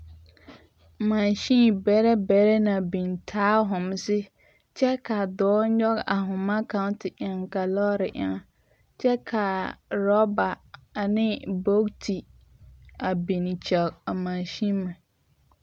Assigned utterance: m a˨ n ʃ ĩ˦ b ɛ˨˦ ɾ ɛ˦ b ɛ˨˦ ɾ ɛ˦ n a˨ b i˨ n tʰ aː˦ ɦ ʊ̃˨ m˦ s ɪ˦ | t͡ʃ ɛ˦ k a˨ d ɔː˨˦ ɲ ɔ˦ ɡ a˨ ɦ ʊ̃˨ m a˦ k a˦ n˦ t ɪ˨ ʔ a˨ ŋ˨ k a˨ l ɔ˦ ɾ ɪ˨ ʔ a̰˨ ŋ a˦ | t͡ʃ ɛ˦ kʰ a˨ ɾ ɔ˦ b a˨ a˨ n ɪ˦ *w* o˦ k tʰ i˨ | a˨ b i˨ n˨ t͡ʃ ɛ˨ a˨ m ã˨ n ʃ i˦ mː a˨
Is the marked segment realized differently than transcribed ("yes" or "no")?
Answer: yes